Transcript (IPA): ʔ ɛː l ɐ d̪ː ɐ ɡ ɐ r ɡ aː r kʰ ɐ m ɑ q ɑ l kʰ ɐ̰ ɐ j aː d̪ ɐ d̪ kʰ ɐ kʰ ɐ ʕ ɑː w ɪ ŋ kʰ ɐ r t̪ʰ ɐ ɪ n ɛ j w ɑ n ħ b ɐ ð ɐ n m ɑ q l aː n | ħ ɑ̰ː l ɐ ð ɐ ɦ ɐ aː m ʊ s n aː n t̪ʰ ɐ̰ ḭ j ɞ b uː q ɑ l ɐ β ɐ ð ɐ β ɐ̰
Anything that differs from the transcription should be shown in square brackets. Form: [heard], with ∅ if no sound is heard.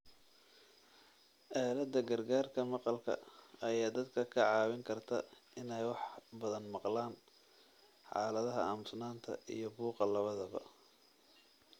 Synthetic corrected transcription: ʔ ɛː l ɐ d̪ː ɐ ɡ ɐ r ɡ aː r kʰ ɐ m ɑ q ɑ l kʰ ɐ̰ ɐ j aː d̪ ɐ d̪ kʰ ɐ kʰ ɐ ʕ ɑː w ɪ ŋ kʰ ɐ r t̪ʰ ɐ ɪ n ɛ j w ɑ [∅] ħ b ɐ ð ɐ n m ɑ q l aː n | ħ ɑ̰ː l ɐ ð ɐ ɦ ɐ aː m ʊ s n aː n t̪ʰ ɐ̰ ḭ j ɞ b uː q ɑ l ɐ β ɐ ð ɐ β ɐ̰